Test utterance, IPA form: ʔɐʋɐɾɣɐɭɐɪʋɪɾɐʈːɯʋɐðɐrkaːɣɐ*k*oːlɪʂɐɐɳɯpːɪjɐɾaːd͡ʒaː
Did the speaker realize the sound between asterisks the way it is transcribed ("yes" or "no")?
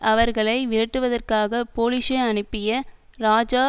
no